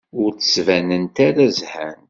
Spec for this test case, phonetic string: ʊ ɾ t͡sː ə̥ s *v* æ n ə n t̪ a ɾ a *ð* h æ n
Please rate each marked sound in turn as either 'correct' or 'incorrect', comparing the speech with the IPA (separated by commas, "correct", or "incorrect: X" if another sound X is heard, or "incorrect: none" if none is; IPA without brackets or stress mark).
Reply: correct, incorrect: z